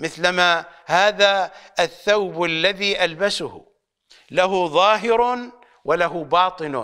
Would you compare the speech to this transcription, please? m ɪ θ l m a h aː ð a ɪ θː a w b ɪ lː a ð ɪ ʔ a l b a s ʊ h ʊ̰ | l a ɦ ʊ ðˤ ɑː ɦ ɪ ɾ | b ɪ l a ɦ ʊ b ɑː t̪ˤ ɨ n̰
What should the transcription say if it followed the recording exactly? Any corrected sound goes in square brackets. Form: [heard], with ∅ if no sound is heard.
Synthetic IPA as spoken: m ɪ θ l m a h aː ð a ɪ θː a w b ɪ lː a ð [i] ʔ a l b a s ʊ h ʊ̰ | l a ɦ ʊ ðˤ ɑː ɦ ɪ ɾ | [w] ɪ l a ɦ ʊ b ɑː t̪ˤ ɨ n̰